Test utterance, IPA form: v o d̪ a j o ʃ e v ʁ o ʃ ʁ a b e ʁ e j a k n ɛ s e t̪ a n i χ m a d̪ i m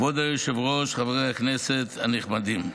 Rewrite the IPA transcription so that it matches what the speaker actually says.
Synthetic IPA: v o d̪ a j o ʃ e v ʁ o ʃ χ a v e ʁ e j a k n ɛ s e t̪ a n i χ m a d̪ i m